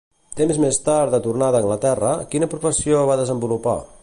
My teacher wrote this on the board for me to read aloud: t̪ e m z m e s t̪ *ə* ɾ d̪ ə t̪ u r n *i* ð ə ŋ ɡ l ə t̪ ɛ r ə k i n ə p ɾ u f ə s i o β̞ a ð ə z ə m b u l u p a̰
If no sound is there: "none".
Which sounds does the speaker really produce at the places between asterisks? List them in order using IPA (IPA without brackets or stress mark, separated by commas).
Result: a, a